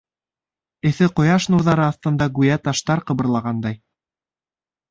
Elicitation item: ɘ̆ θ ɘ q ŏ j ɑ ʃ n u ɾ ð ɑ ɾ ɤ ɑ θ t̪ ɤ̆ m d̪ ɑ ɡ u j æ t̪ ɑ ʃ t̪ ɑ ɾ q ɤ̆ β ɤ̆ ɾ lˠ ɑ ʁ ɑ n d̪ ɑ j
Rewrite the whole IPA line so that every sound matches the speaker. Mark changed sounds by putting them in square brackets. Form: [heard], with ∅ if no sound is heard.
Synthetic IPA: ɘ̆ θ ɘ q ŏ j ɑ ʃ n u ɾ ð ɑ ɾ ɤ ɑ θ t̪ ɤ̆ [n] d̪ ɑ ɡ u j æ t̪ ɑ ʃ t̪ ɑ ɾ q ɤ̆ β ɤ̆ ɾ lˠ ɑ ʁ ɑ n d̪ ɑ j